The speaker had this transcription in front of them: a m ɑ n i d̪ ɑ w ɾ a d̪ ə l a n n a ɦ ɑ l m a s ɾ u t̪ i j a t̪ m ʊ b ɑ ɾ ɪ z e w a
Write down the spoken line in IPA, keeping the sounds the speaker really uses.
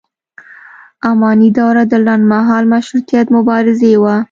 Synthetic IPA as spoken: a m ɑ n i d̪ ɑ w ɾ a d̪ ə l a n m a ɦ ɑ l m a ʃ ɾ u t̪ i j a t̪ m ʊ b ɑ ɾ ɪ z e w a